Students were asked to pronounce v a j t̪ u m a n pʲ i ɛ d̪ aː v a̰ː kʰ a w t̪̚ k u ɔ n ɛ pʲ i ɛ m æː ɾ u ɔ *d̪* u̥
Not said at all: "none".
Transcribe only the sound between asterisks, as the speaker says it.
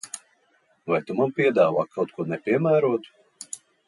t̪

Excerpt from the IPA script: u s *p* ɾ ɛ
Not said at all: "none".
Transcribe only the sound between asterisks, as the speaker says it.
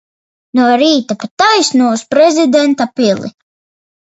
p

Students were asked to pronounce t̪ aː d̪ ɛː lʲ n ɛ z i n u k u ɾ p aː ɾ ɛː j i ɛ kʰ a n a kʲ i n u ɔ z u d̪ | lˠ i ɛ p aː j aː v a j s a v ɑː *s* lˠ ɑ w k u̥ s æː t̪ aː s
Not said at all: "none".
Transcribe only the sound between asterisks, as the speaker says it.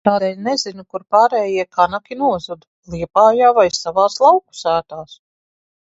s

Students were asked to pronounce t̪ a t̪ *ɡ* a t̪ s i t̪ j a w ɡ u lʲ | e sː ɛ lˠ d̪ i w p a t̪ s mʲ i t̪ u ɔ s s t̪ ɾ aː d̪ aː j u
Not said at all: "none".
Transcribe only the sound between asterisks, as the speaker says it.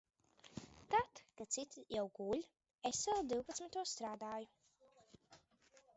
k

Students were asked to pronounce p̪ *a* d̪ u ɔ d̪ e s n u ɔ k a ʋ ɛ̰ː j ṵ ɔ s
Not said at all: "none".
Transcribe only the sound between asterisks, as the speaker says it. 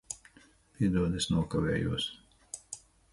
i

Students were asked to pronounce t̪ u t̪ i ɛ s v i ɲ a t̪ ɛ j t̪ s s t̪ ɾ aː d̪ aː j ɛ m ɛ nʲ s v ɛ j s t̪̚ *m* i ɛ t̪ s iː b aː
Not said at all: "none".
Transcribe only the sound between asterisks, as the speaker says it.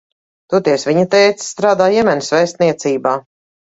n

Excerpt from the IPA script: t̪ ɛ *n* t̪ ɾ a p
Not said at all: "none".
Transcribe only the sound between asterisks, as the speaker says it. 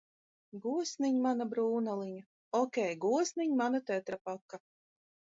none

